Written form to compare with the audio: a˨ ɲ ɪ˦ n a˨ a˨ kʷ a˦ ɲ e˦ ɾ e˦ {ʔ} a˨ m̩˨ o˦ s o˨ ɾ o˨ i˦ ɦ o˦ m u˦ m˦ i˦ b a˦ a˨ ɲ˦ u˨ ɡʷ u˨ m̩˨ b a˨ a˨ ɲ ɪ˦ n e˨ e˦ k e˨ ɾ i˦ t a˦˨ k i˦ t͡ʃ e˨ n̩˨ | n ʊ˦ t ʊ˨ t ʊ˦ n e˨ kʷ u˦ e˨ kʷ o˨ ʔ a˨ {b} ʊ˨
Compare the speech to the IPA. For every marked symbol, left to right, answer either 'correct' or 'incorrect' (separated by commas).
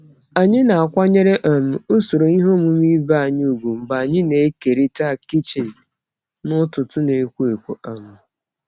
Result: correct, incorrect